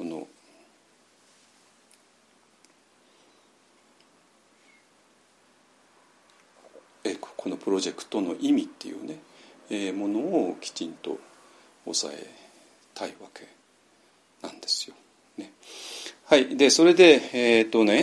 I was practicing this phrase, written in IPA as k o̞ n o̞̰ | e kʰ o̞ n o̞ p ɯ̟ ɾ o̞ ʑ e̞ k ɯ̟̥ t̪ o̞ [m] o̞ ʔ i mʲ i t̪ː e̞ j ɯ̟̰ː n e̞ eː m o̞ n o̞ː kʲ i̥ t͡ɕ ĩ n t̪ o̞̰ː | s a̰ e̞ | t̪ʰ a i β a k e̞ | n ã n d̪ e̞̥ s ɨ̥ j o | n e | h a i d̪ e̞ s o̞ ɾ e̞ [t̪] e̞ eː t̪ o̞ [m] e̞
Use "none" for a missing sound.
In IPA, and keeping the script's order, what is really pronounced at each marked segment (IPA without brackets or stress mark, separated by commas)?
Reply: n, d̪, n